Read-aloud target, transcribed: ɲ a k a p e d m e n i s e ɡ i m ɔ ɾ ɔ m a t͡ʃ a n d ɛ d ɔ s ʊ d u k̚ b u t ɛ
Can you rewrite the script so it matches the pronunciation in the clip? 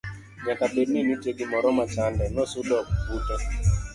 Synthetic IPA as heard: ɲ a k a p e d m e n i t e ɡ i m ɔ ɾ ɔ m a t͡ʃ a n d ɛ n ɔ s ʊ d ɔ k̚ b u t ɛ